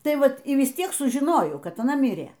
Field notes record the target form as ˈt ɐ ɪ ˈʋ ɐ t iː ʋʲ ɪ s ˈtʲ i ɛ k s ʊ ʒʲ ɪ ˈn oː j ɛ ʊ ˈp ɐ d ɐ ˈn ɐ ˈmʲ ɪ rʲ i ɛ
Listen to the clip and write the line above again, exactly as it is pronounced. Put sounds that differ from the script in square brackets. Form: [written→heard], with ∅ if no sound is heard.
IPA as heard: ˈt ɐ ɪ ˈʋ ɐ t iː ʋʲ ɪ s ˈtʲ i ɛ k s ʊ ʒʲ ɪ ˈn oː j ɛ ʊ [ˈp→ˈk] ɐ [d→t] ɐ ˈn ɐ ˈmʲ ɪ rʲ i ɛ